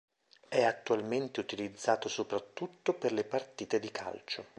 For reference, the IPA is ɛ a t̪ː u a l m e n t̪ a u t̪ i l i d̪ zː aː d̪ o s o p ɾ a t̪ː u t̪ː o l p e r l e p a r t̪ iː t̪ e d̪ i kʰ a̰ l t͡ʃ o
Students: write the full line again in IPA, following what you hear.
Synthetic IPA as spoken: ɛ a t̪ː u a l m e n t̪ e u t̪ i l i d̪ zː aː t̪ o s o p ɾ a t̪ː u t̪ː o p e r l e p a r t̪ iː t̪ e d̪ i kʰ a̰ l t͡ʃ o